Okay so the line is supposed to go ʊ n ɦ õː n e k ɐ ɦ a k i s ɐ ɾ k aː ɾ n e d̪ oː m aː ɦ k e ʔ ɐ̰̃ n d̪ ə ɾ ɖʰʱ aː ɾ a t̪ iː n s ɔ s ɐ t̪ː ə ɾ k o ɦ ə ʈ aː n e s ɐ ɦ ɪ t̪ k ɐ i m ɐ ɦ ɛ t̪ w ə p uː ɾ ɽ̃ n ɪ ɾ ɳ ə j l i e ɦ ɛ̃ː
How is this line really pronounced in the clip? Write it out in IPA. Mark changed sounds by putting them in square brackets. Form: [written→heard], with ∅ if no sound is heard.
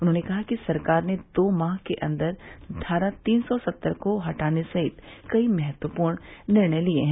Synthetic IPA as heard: ʊ n ɦ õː n e k ɐ ɦ a k i s ɐ ɾ k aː ɾ n e d̪ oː m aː ɦ k e ʔ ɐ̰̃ n d̪ ə ɾ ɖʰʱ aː ɾ a t̪ iː n s ɔ s ɐ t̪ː ə ɾ k o ɦ [ə→ɐ] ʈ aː n e s ɐ ɦ ɪ t̪ k ɐ i m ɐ ɦ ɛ t̪ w ə p uː ɾ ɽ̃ n ɪ ɾ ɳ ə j l i e ɦ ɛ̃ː